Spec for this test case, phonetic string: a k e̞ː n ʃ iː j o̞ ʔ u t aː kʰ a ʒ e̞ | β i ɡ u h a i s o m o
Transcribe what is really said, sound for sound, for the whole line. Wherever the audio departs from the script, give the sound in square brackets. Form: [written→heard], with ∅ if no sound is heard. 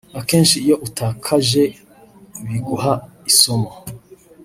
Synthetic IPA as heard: a k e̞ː n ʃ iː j o̞ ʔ u t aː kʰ a ʒ e̞ | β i ɡ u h a i s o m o

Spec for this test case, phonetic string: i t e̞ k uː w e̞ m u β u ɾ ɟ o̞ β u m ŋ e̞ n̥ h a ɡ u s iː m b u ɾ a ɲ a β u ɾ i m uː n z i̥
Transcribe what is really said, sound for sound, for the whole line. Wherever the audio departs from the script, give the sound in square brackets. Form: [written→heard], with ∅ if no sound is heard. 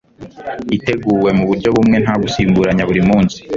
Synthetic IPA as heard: i t e̞ [k→ɡ] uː w e̞ m u β u ɾ ɟ o̞ β u m ŋ e̞ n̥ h a ɡ u s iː m b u ɾ a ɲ a β u ɾ i m uː n [z→s] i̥

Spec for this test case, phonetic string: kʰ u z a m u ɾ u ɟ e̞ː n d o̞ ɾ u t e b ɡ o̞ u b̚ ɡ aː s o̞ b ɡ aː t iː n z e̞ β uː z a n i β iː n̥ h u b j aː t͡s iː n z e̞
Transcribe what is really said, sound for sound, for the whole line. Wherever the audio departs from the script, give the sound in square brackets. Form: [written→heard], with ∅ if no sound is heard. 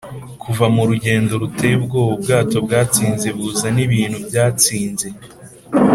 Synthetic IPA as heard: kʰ u [z→v] a m u ɾ u ɟ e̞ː n d o̞ ɾ u t e b ɡ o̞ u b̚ ɡ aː [s→t] o̞ b ɡ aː [t→t͡s] iː n z e̞ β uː z a n i β iː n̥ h u b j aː t͡s iː n z e̞

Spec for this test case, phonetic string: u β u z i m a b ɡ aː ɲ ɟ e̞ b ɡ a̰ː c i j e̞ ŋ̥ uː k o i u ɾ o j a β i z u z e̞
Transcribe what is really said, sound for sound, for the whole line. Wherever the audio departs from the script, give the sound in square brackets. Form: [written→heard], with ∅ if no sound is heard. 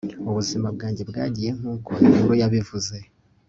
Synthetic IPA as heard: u β u z i m a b ɡ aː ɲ ɟ e̞ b ɡ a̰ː [c→ɟ] i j e̞ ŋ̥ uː k o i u ɾ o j a β i [z→v] u z e̞

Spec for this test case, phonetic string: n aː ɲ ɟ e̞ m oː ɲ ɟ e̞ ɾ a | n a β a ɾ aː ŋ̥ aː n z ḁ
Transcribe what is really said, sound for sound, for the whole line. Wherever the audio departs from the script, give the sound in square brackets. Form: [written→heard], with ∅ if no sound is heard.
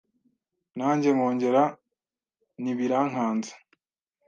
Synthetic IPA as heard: n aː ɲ ɟ e̞ m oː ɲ ɟ e̞ ɾ a | n [a→i] β [a→i] ɾ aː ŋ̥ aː n z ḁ

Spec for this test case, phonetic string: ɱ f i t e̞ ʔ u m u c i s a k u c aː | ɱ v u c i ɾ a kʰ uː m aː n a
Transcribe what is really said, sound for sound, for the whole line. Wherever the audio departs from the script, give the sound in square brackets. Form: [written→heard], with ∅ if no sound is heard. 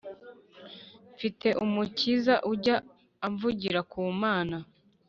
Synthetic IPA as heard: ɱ f i t e̞ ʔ u m u c i [s→z] a [k→ʔ] u [c→ɟ] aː | ɱ v u [c→ɟ] i ɾ a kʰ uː m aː n a

